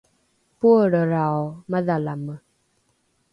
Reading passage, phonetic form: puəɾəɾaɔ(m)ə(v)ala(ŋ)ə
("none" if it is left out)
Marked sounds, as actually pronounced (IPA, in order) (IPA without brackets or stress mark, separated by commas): m, ð, m